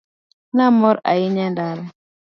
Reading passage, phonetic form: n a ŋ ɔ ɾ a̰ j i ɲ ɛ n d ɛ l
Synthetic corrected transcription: n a m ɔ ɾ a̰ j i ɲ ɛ n d a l